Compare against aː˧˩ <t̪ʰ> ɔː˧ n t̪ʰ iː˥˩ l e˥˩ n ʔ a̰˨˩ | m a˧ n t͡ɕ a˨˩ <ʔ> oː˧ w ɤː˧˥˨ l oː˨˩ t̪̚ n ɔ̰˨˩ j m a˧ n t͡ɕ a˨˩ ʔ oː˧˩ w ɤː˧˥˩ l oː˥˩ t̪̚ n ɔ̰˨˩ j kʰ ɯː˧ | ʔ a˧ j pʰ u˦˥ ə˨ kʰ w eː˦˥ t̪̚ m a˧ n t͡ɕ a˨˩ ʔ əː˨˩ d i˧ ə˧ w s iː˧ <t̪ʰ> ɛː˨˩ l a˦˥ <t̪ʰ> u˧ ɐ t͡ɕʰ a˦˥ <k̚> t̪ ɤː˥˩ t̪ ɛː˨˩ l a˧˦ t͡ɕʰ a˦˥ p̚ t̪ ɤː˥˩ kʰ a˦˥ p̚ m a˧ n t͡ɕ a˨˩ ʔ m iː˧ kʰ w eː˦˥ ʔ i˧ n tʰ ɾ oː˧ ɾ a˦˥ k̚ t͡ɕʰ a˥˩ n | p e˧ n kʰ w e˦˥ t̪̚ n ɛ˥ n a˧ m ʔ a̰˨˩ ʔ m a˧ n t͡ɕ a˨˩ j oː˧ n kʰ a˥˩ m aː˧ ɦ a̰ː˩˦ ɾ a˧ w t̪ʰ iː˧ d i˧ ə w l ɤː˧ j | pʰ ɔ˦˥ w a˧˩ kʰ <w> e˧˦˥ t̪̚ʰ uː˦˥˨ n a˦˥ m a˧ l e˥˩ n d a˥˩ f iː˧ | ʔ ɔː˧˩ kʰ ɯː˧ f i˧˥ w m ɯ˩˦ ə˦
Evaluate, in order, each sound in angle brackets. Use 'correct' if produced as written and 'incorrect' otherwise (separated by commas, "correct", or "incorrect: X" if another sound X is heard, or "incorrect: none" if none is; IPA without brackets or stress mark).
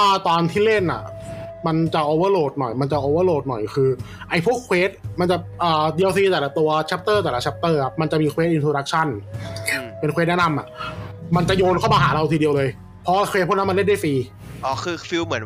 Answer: incorrect: t̪, correct, incorrect: t̪, incorrect: t̪, incorrect: p̚, correct